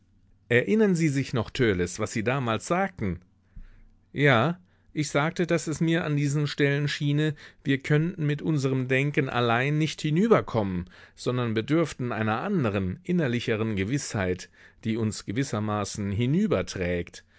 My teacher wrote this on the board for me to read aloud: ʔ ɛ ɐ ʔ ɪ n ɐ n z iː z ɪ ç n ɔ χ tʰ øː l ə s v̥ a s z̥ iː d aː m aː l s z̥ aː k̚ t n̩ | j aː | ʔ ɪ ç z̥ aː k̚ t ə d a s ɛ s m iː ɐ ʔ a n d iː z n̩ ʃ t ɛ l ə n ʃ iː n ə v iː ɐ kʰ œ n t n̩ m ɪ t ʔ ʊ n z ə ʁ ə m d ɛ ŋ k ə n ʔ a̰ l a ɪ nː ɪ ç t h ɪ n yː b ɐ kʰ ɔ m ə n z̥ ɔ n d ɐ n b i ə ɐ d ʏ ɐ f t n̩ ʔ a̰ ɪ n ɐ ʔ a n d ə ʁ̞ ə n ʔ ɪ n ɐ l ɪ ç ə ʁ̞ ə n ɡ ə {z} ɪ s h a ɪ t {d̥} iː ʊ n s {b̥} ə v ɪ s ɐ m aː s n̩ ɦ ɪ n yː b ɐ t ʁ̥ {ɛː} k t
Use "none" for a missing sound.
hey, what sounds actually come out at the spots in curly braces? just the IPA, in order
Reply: v, d̥, ɡ̥, ɛː

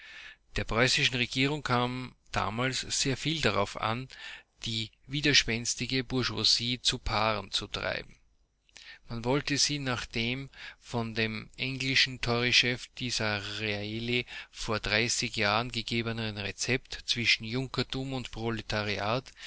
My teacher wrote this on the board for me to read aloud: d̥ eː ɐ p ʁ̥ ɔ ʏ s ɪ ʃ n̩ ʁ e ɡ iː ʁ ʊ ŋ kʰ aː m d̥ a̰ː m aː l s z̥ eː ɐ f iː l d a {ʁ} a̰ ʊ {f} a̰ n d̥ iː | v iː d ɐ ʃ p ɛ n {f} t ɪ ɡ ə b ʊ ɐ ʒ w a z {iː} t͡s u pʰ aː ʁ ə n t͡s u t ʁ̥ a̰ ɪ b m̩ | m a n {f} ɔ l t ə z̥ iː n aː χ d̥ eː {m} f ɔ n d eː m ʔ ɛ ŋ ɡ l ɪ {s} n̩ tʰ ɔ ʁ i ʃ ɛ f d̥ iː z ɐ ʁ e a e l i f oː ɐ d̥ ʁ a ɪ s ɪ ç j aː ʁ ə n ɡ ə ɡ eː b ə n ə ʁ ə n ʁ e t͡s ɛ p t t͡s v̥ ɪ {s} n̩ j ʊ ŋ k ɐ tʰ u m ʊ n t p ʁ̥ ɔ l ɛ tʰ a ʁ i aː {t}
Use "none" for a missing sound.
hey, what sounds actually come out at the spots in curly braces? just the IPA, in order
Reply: ʁ, f, s, iː, v, m, ʃ, ʃ, t

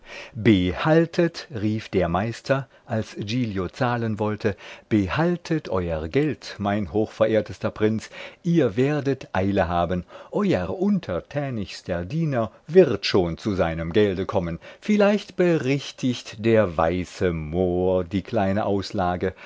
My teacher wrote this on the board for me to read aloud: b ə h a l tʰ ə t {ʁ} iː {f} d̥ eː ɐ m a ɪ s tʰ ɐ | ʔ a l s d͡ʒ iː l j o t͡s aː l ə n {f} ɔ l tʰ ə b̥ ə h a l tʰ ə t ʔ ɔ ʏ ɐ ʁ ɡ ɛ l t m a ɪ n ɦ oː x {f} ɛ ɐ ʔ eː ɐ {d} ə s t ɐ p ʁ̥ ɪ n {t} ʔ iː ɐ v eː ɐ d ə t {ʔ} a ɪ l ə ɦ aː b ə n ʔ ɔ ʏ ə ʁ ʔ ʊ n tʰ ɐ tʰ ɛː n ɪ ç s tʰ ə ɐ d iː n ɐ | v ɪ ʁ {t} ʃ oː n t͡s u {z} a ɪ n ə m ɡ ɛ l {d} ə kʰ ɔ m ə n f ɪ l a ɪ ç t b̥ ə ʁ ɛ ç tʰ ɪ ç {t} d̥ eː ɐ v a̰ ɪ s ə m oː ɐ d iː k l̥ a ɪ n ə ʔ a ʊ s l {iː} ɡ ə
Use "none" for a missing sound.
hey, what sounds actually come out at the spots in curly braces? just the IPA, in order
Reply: ʁ, f, v, f, t, t͡s, ʔ, t, z, d, t, aː

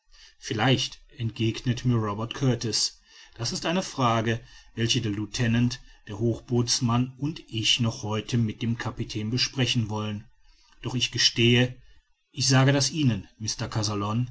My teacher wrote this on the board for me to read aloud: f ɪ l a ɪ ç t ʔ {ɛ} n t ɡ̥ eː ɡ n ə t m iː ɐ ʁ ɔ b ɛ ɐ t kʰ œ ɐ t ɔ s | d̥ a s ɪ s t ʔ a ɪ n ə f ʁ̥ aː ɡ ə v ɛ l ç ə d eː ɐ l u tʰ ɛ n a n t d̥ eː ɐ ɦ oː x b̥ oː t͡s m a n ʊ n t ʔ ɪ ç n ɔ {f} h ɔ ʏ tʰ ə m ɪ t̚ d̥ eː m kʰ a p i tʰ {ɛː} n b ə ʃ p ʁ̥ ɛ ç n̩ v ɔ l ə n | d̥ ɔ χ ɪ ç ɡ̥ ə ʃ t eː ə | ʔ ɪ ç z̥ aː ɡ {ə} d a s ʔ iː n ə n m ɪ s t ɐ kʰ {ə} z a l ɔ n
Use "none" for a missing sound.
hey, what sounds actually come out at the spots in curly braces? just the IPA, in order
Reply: ɛ, χ, ɛː, ə, a

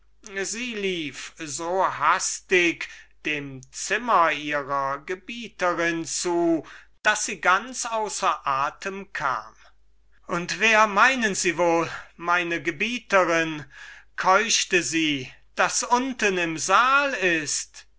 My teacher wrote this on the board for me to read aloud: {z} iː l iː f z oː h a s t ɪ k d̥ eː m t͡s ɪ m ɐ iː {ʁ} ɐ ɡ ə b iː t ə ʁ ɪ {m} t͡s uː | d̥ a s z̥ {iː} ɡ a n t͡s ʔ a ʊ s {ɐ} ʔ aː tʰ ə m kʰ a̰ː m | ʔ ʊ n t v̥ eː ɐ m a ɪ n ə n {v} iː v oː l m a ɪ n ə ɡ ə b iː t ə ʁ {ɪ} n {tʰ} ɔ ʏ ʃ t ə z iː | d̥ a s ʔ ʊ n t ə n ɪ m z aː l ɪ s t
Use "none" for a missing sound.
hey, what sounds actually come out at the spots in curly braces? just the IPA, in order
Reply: z, ʁ, n, iː, ɐ, z, ɪ, kʰ

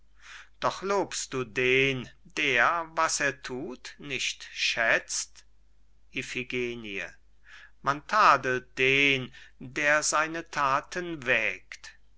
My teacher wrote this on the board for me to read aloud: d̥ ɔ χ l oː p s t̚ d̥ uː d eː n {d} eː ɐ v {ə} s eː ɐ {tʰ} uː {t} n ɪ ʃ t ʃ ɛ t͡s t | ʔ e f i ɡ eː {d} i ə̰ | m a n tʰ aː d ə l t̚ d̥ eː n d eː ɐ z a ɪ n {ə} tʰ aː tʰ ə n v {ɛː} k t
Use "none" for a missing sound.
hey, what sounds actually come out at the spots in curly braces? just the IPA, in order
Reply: d, a, tʰ, t, n, ə, ɛː

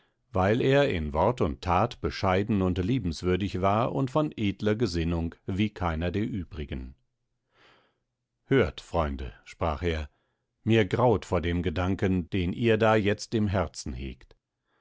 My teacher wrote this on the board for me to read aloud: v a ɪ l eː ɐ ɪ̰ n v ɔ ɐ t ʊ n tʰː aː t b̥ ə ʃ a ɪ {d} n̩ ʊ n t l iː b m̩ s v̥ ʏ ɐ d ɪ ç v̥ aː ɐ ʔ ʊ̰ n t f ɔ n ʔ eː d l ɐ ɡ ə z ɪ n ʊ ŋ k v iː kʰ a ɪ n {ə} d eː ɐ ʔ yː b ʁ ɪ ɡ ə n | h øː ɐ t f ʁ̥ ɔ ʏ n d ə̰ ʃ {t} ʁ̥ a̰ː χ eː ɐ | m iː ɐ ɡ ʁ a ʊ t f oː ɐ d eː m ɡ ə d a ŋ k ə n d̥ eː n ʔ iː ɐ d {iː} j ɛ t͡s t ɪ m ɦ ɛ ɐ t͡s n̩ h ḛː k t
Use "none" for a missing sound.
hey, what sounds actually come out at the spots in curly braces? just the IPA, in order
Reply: d, ɐ, p, aː

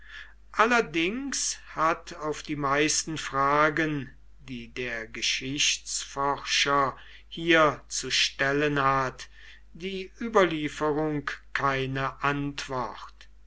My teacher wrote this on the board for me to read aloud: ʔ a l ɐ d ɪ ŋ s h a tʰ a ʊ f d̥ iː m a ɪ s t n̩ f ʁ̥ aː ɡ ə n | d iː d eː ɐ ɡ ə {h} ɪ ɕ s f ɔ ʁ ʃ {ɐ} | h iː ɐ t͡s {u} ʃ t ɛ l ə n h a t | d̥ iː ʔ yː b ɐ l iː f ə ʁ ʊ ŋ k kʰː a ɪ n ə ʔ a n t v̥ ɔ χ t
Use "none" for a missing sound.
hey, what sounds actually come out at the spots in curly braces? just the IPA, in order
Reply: ʃ, ɐ, u

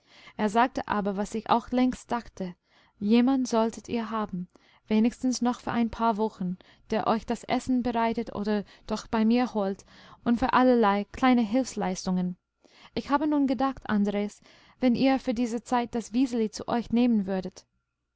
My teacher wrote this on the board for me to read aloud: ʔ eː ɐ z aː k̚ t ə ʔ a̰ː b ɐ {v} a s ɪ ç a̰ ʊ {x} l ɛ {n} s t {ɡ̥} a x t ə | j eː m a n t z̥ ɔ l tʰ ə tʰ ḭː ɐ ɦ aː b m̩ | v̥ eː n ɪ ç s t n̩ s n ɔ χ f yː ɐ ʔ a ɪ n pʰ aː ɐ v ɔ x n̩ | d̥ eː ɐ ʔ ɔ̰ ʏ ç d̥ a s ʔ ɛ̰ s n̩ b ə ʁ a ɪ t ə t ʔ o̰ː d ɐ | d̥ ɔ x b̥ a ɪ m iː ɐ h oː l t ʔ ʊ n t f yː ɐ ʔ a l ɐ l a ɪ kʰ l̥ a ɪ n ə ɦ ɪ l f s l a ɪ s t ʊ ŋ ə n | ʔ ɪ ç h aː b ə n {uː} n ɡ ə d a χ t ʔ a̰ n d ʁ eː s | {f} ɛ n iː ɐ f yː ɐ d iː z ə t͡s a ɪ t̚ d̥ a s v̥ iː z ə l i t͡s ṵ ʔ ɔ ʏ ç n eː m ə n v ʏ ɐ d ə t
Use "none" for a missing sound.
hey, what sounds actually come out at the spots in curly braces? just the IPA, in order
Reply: v, x, ŋ, d̥, uː, v

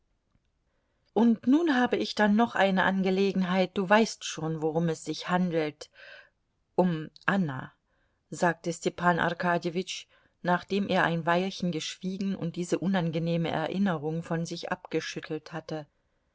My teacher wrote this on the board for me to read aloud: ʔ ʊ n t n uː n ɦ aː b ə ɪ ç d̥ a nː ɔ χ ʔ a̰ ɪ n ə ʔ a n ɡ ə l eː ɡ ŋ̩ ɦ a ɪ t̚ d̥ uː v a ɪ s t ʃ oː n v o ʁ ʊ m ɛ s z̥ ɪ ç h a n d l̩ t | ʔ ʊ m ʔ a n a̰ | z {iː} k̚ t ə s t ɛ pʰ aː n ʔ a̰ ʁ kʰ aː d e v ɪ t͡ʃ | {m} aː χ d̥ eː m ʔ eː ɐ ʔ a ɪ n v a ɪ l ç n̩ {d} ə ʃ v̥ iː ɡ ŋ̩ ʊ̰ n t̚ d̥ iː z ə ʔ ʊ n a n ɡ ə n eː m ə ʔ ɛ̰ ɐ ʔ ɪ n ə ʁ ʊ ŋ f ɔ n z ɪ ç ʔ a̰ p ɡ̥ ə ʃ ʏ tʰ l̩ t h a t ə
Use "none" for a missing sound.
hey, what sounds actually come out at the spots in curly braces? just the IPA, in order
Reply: aː, n, ɡ

